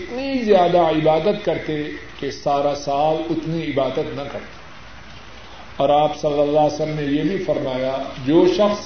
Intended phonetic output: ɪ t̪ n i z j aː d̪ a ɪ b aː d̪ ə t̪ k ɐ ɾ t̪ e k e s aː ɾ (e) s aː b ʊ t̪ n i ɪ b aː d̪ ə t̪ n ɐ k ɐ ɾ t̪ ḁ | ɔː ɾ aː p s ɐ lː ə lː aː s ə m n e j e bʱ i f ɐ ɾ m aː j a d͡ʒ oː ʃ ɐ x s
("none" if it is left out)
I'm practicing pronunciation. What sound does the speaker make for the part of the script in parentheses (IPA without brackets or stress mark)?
a